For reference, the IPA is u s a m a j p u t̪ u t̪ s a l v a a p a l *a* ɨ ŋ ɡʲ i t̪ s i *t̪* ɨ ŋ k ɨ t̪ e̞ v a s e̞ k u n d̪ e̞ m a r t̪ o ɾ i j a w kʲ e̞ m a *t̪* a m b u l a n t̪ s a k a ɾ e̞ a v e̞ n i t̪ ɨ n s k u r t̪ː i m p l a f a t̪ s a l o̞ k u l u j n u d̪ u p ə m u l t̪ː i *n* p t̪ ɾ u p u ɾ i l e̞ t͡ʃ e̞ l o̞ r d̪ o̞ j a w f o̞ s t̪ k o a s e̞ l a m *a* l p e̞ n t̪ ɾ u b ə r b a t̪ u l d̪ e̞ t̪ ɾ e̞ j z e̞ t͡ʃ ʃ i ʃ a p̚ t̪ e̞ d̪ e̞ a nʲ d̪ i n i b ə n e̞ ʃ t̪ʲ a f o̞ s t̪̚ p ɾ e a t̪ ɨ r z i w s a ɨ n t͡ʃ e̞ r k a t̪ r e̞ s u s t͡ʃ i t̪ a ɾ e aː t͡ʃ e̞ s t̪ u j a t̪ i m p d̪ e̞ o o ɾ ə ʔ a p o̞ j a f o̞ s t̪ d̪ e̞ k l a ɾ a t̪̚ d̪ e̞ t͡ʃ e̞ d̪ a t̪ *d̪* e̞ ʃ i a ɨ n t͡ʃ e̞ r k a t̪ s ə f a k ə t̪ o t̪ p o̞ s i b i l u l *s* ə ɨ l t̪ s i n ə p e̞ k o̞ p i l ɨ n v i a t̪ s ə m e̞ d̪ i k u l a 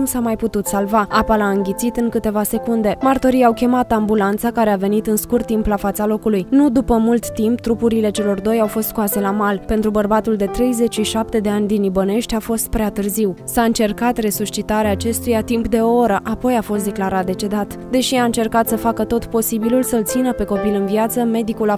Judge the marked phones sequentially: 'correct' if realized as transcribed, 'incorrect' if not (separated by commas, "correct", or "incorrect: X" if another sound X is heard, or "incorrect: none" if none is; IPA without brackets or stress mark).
correct, correct, correct, incorrect: m, correct, correct, correct